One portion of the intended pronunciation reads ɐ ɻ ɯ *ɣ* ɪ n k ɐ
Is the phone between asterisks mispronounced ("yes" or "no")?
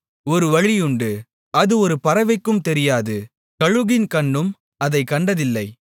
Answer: no